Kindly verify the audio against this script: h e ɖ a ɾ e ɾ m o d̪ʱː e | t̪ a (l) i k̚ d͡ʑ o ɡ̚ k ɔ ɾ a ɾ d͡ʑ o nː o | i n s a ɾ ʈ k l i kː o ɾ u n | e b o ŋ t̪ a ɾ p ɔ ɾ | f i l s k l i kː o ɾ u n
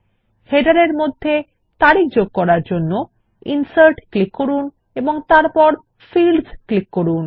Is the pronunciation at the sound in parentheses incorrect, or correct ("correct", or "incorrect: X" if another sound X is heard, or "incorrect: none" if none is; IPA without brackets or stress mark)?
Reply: incorrect: ɾ